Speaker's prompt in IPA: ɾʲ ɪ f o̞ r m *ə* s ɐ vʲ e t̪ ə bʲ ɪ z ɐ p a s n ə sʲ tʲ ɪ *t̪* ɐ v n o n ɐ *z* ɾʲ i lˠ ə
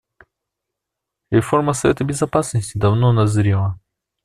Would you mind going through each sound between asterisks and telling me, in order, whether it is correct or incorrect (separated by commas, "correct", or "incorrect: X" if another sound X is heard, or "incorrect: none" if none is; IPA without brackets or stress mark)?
correct, incorrect: d̪, correct